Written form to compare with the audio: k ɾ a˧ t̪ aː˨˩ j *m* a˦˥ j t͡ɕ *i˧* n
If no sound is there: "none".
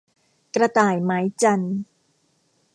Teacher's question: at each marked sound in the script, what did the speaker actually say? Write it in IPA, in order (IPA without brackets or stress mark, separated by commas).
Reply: m, a˧